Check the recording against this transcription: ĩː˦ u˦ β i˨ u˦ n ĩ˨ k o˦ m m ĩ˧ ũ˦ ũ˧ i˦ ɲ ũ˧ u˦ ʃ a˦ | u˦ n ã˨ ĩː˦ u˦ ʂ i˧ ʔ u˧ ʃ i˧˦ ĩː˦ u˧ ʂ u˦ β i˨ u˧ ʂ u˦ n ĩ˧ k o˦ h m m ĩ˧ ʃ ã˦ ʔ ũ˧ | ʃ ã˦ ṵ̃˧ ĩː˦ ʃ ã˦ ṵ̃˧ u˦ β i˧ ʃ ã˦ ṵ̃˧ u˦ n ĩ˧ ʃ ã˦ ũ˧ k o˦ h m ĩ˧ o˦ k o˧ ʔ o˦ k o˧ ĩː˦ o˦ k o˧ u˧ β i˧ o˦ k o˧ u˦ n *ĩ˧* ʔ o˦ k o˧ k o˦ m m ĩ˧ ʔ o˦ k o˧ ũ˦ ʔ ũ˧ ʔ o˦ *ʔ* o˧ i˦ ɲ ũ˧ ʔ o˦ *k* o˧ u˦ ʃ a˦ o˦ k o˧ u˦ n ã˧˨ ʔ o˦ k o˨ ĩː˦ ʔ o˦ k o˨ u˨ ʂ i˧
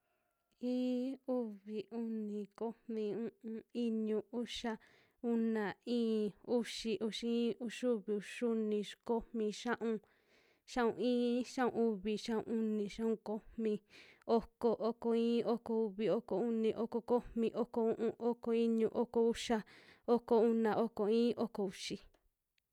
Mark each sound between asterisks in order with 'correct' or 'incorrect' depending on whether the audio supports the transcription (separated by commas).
correct, incorrect, correct